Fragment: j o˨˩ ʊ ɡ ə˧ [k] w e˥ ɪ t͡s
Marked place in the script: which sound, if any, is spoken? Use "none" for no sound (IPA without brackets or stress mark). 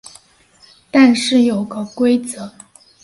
k